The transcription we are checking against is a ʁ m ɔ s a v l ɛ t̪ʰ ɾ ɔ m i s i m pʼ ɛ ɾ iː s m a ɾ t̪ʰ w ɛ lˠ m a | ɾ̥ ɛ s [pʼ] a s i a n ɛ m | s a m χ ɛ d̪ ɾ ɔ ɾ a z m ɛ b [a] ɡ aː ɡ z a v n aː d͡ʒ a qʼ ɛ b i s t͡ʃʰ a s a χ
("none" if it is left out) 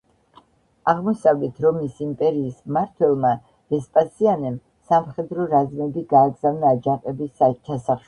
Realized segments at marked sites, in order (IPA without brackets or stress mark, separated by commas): pʼ, i